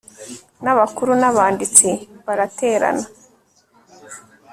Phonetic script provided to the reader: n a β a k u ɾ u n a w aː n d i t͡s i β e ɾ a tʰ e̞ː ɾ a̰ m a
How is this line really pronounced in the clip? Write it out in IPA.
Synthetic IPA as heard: n a β a k u ɾ u n a β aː n d i t͡s i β a ɾ a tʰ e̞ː ɾ a̰ n a